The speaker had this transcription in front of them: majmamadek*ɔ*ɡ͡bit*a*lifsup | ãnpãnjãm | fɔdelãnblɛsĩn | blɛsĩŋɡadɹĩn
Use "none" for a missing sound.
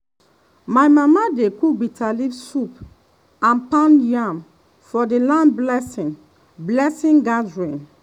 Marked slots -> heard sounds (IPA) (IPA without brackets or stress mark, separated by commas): u, a